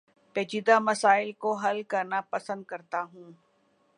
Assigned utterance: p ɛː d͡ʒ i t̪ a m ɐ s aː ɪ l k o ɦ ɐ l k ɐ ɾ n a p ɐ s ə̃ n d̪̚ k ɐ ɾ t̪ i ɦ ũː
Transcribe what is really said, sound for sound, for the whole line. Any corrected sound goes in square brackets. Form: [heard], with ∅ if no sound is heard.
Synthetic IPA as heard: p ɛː d͡ʒ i [d̪] a m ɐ s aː ɪ l k o ɦ ɐ l k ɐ ɾ n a p ɐ s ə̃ n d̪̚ k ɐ ɾ t̪ [a] ɦ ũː